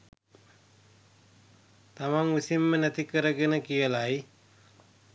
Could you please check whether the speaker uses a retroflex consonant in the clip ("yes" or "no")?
no